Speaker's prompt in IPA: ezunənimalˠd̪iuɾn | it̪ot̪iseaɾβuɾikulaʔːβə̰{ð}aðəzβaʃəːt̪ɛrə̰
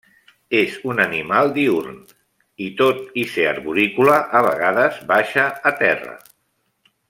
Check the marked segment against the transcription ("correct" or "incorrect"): incorrect